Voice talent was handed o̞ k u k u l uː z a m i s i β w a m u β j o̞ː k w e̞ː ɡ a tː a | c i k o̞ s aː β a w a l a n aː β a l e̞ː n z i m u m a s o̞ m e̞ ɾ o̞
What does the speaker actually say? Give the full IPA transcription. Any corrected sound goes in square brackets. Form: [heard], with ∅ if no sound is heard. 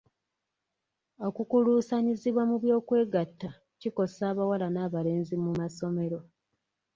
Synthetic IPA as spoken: o̞ k u k u l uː [s] a [ɲ] i [z] i β w a m u β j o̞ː k w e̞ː ɡ a tː a | c i k o̞ s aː β a w a l a n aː β a l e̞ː n z i m u m a s o̞ m e̞ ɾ o̞